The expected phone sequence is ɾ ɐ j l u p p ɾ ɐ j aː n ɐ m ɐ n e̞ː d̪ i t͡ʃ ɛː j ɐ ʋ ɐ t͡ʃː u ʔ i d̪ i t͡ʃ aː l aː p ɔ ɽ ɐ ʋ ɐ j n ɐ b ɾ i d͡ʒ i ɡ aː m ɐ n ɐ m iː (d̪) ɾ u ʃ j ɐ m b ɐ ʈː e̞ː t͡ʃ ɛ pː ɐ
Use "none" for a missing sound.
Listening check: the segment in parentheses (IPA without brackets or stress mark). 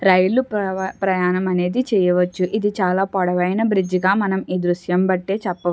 d̪